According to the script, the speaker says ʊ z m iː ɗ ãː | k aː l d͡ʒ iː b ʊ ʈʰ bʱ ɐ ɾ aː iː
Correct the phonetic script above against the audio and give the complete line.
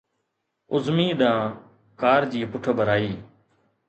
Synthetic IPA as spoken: ʊ z m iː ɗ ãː | k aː ɾ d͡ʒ iː p ʊ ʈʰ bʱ ə ɾ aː iː